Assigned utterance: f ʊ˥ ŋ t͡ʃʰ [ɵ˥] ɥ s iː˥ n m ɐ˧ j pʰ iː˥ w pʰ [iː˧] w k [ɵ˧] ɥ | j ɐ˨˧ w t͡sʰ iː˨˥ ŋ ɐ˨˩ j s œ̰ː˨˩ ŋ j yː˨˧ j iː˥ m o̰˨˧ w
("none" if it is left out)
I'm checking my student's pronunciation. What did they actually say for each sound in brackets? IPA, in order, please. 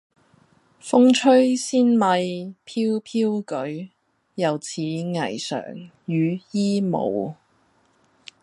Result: ɵ˥, iː˥, ɵ˨˥

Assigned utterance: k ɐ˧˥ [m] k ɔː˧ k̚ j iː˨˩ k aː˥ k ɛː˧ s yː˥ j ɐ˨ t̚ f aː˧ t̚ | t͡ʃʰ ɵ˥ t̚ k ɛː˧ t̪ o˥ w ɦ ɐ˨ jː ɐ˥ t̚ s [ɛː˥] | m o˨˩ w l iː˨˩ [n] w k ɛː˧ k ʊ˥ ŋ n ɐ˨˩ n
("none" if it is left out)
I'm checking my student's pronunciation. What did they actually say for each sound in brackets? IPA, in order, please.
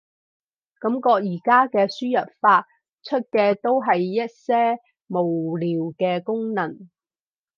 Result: m, ɛː˥, none

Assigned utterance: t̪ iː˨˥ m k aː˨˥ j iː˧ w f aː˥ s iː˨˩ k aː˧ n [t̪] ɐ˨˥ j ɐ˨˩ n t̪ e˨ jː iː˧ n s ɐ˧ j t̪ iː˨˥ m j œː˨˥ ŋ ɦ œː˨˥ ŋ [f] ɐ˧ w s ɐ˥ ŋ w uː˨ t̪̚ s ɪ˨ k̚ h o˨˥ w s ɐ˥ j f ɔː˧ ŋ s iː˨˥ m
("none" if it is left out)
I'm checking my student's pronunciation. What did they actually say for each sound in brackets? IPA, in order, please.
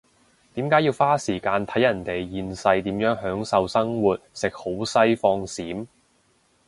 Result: t̪ʰ, s

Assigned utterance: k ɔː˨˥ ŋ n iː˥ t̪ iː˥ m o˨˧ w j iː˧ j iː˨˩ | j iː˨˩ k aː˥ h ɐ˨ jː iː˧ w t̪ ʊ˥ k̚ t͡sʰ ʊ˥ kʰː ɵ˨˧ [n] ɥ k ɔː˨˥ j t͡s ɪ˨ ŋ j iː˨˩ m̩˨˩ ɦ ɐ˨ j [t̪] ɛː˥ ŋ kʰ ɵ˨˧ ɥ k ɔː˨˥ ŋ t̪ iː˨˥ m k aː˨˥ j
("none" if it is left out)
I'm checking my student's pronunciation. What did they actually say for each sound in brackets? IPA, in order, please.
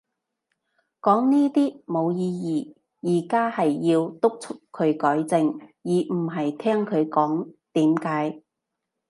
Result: none, t̪ʰ

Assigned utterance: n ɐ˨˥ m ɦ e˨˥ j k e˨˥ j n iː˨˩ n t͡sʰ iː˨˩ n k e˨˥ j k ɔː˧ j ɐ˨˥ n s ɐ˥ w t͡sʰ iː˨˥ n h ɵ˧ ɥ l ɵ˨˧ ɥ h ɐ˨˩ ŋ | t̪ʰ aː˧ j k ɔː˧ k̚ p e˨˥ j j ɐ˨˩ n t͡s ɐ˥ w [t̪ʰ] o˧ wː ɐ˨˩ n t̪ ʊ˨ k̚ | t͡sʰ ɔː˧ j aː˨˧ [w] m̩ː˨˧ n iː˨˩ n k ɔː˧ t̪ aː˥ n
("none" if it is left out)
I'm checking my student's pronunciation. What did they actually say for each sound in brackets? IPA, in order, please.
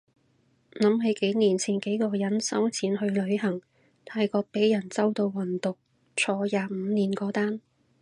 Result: t̪, none

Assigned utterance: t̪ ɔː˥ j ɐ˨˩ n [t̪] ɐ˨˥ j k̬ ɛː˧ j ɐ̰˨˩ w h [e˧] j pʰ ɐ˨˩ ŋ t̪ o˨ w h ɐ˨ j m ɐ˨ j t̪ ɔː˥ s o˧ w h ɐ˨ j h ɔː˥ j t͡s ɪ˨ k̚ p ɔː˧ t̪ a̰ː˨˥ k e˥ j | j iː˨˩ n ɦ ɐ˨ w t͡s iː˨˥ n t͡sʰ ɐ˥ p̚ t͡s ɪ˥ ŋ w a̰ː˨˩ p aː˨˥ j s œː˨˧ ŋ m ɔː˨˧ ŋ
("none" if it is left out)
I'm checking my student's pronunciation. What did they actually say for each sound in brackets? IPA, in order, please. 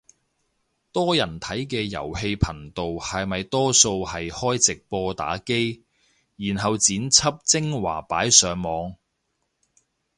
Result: t̪ʰ, e˧

